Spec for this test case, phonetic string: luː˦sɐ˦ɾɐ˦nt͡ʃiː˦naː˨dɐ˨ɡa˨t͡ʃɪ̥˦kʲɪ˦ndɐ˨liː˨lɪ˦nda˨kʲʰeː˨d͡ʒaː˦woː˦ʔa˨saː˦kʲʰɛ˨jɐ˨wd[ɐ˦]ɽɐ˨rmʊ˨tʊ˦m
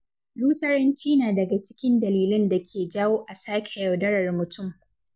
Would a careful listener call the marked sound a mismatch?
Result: no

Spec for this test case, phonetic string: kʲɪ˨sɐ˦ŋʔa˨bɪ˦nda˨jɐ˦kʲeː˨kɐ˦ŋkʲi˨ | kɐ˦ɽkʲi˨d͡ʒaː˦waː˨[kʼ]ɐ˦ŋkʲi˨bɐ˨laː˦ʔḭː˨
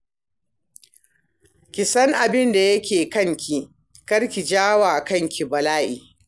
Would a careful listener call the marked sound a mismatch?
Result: yes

